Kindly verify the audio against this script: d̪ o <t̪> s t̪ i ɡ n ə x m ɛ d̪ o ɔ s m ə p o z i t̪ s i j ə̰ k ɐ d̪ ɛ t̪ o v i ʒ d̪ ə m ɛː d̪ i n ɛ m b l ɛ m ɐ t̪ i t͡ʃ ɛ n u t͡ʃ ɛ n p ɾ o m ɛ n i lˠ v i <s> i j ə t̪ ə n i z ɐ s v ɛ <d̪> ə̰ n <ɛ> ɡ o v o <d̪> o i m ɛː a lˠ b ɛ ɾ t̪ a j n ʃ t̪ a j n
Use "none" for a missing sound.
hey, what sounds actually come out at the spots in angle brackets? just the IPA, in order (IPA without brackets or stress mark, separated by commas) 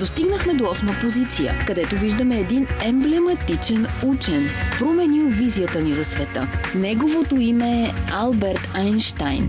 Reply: none, z, t̪, ɛ, t̪